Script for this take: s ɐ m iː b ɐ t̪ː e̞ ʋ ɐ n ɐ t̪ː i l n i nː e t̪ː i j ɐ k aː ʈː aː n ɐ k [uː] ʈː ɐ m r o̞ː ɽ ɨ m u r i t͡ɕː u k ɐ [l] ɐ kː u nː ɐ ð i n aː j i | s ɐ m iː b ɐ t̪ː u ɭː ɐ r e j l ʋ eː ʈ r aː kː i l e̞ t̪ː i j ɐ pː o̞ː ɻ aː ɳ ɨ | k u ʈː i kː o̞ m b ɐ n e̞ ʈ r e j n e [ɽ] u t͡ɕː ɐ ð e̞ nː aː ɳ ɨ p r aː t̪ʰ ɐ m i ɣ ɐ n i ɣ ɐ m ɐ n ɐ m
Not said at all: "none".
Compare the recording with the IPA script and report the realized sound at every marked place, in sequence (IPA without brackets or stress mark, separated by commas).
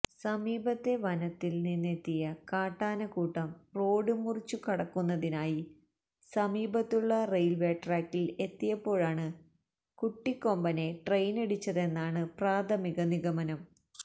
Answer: uː, ɽ, ɽ